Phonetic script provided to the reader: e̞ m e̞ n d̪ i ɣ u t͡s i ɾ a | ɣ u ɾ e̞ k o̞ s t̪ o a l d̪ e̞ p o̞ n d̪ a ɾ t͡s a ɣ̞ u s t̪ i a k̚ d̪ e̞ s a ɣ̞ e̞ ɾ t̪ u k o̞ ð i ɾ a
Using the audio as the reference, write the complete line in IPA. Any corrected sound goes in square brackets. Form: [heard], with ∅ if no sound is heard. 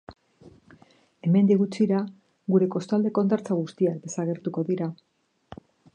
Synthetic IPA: e̞ m e̞ n d̪ i ɣ u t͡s i ɾ a | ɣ u ɾ e̞ k o̞ s t̪ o a l d̪ e̞ [k] o̞ n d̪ a ɾ t͡s a ɣ̞ u s t̪ i a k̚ d̪ e̞ s a ɣ̞ e̞ ɾ t̪ u k o̞ ð i ɾ a